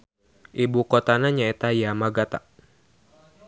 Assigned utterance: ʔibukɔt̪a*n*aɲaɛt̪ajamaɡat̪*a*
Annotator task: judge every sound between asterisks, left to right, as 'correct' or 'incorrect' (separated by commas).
correct, correct